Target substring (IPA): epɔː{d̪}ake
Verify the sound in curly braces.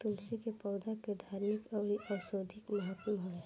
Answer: correct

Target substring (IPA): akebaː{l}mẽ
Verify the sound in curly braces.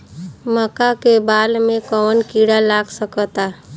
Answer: correct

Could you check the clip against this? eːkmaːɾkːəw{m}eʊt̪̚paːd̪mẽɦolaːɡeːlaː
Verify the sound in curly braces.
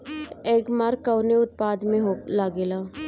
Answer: incorrect: n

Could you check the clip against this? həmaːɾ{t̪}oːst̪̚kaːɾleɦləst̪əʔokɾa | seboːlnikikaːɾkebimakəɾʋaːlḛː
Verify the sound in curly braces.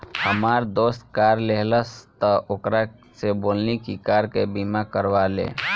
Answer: incorrect: d̪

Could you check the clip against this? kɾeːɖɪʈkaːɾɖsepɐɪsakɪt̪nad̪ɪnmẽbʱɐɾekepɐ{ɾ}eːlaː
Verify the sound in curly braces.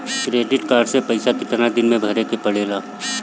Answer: incorrect: ɽ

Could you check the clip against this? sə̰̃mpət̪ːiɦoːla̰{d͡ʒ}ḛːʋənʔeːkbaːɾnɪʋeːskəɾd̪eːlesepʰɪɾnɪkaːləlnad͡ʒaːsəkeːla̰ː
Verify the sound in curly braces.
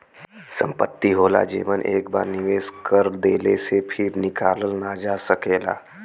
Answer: correct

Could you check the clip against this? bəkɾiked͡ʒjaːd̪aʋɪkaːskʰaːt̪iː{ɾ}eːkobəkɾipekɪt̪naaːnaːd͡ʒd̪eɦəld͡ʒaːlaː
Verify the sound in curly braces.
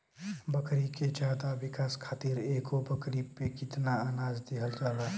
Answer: correct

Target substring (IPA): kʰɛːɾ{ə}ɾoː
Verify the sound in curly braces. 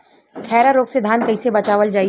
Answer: incorrect: a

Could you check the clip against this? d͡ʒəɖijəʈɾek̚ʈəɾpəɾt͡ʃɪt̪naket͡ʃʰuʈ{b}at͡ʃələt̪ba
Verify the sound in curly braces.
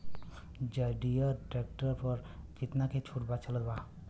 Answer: correct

